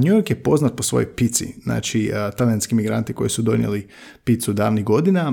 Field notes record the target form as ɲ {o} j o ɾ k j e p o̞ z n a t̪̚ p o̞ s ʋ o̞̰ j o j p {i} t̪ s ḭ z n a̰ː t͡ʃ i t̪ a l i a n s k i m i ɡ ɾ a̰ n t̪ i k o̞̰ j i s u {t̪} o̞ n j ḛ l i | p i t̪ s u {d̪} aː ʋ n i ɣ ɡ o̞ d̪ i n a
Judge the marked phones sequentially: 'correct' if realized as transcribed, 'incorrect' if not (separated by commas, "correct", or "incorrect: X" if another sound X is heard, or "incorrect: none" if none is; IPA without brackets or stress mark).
incorrect: u, correct, incorrect: d̪, correct